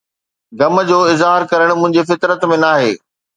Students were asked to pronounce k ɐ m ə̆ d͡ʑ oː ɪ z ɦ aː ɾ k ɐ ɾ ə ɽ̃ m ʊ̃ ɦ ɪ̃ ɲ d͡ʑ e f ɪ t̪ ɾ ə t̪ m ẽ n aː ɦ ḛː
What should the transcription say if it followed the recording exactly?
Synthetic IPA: ɡ ɐ m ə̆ d͡ʑ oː ɪ z ɦ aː ɾ k ɐ ɾ ə ɽ̃ m ʊ̃ ɦ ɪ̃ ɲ d͡ʑ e f ɪ t̪ ɾ ə t̪ m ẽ n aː ɦ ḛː

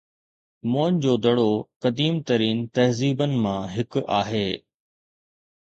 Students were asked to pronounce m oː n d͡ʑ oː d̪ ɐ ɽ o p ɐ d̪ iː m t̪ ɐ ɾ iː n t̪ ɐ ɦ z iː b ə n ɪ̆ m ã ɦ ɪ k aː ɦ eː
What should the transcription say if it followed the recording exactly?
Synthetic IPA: m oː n d͡ʑ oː d̪ ɐ ɽ o k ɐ d̪ iː m t̪ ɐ ɾ iː n t̪ ɐ ɦ z iː b ə n ɪ̆ m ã ɦ ɪ k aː ɦ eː

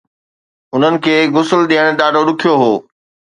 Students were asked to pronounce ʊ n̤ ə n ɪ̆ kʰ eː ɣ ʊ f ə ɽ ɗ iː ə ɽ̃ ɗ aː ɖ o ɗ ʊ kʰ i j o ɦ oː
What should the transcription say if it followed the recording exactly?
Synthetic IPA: ʊ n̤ ə n ɪ̆ kʰ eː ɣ ʊ s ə l ɗ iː ə ɽ̃ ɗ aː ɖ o ɗ ʊ kʰ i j o ɦ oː

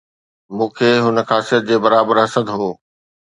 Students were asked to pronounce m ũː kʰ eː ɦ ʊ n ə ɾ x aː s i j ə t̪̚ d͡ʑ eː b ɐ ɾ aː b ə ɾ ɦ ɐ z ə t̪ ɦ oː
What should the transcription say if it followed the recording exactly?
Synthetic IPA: m ũː kʰ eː ɦ ʊ n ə x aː s i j ə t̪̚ d͡ʑ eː b ɐ ɾ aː b ə ɾ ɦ ɐ s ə d̪ ɦ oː

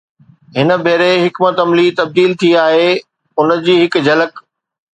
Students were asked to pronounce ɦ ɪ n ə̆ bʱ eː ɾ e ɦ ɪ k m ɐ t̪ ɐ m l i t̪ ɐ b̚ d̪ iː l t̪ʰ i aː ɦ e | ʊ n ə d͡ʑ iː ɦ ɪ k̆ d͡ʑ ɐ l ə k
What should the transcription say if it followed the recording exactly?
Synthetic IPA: ɦ ɪ n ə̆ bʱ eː ɾ e ɦ ɪ k m ə t̪ ɐ m l i t̪ ɐ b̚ d̪ iː l t̪ʰ i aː ɦ e | ʊ n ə d͡ʑ iː ɦ ɪ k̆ d͡ʑ ɐ l ə k

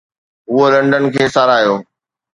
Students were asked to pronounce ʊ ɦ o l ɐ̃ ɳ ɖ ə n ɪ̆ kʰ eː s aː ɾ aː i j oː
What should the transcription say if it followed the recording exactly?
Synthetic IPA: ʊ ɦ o l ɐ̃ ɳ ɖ ə n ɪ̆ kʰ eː s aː ɾ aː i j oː

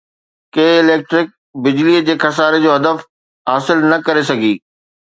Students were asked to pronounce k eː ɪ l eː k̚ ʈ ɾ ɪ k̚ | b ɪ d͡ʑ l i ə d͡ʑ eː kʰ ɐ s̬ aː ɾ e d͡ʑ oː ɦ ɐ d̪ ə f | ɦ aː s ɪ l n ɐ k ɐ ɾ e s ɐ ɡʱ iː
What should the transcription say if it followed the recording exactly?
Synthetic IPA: k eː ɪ l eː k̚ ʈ ɾ ɪ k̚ | b ɪ d͡ʑ l i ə d͡ʑ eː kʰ ɐ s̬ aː ɾ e d͡ʑ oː ɦ ɐ d̪ ə f | ɦ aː s ɪ l n ɐ k ɐ ɾ e s ɐ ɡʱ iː

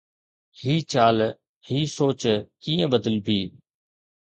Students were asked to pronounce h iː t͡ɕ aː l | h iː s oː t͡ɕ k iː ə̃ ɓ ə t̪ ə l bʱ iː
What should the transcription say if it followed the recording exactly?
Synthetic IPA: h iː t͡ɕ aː l | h iː s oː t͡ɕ k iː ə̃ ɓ ə d̪ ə l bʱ iː

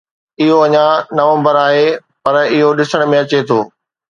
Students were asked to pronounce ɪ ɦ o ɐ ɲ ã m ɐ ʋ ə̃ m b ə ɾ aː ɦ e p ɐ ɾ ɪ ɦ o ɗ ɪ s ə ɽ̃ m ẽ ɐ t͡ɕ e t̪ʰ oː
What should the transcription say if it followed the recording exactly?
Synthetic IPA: ɪ ɦ o ɐ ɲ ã n ɐ ʋ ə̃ m b ə ɾ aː ɦ e p ɐ ɾ ɪ ɦ o ɗ ɪ s ə ɽ̃ m ẽ ɐ t͡ɕ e t̪ʰ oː

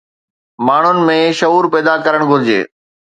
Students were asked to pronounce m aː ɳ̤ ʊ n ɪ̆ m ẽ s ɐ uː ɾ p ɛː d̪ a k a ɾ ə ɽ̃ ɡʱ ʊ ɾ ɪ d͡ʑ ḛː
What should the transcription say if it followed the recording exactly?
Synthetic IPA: m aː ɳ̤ ʊ n ɪ̆ m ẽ ʃ ɐ uː ɾ p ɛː d̪ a k ɐ ɾ ə ɽ̃ ɡʱ ʊ ɾ ɪ d͡ʑ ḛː

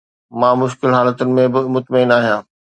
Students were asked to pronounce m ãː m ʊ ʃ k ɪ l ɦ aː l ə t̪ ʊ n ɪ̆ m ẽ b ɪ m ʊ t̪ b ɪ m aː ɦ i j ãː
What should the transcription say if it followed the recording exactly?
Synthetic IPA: m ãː m ʊ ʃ k ɪ l ɦ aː l ə t̪ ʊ n ɪ̆ m ẽ b ɪ m ʊ t̪ m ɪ n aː ɦ i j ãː

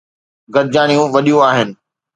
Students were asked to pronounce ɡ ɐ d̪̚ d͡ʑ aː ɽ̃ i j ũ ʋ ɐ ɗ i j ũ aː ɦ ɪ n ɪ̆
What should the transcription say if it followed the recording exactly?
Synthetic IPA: ɡ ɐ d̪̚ d͡ʑ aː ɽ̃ i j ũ ʋ ɐ ɗ i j ũ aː ɦ ɪ n ɪ̆

